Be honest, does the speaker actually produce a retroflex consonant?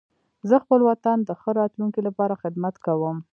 no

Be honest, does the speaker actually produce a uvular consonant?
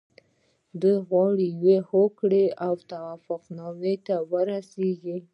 yes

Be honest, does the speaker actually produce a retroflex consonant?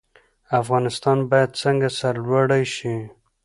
yes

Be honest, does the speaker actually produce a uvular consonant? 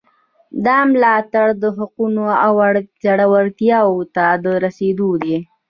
yes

